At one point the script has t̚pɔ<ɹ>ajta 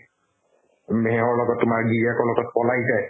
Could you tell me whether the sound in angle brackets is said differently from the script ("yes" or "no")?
yes